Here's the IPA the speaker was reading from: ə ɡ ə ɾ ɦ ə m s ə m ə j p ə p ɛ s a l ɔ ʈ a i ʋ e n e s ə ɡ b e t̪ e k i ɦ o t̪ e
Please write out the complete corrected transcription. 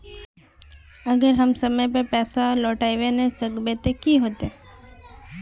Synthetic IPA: ə ɡ ə ɾ ɦ ə m s ə m ə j p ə p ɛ s a l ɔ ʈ a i ʋ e n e s ə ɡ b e t̪ e k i ɦ o t̪ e